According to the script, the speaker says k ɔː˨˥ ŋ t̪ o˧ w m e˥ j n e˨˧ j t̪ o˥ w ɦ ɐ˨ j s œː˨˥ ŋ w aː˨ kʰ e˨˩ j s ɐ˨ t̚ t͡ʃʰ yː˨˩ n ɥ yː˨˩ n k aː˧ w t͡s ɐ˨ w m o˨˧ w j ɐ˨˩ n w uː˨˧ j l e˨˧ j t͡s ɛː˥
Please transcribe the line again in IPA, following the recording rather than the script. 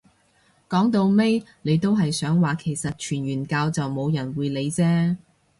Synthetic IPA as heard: k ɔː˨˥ ŋ t̪ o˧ w m e˥ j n e˨˧ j t̪ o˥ w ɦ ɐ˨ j s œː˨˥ ŋ w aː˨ kʰ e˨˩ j s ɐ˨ t̚ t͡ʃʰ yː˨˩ n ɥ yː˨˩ n k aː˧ w t͡s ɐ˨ w m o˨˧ w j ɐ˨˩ n w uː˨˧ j l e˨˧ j t͡s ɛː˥